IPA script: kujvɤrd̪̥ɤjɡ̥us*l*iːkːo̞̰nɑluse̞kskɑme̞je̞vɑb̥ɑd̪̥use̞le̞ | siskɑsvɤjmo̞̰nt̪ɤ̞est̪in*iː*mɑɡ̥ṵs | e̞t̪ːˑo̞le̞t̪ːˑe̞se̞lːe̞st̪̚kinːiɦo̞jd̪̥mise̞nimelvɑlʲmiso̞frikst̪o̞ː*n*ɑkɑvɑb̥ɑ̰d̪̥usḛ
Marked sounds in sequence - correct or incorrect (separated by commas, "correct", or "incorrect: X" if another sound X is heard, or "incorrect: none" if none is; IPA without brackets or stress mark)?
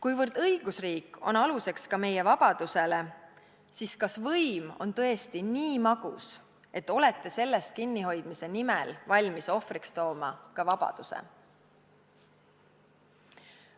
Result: incorrect: r, correct, incorrect: m